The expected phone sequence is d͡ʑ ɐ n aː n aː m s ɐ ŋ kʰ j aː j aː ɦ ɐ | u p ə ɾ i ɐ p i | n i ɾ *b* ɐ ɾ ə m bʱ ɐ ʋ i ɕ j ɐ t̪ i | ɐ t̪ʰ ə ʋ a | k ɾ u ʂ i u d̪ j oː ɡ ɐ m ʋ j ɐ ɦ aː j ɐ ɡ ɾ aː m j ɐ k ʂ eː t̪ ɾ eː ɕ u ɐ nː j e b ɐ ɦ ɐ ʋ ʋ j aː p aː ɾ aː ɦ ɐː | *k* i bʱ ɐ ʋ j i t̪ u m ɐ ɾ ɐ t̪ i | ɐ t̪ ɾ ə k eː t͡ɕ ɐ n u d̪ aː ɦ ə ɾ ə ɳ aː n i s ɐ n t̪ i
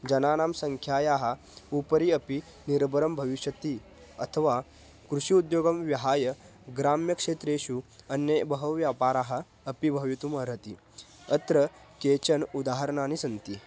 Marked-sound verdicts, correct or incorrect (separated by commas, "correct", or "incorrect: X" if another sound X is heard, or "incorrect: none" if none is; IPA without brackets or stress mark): correct, incorrect: p